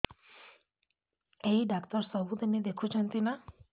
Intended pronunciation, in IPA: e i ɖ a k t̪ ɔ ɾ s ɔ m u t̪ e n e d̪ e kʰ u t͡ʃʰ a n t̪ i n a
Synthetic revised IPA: e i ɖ a k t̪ ɔ ɾ s ɔ b u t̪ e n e d̪ e kʰ u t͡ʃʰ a n t̪ i n a